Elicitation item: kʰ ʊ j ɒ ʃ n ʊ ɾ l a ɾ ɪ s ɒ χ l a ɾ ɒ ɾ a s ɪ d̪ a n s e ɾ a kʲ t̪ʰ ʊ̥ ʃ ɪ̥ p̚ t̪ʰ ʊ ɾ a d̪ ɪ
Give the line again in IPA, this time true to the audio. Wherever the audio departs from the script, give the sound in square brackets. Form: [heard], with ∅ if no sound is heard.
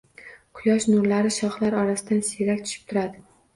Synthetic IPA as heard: [qʰ] ʊ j ɒ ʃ n ʊ ɾ l a ɾ ɪ [ʃ] ɒ χ l a ɾ ɒ ɾ a s ɪ d̪ a n s e ɾ a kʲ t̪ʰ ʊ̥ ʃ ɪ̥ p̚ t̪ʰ ʊ ɾ a d̪ ɪ